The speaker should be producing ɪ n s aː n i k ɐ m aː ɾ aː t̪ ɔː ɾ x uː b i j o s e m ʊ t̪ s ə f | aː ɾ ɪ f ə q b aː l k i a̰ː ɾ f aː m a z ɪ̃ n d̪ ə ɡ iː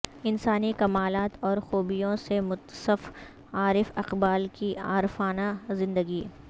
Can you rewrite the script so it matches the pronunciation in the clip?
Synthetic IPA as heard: ɪ n s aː n i k ɐ m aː l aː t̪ ɔː ɾ x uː b i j õ s e m ʊ t̪ s ə f | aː ɾ ɪ f ɐ q b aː l k i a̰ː ɾ f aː n a z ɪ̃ n d̪ ə ɡ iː